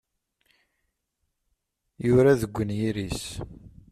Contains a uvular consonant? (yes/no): no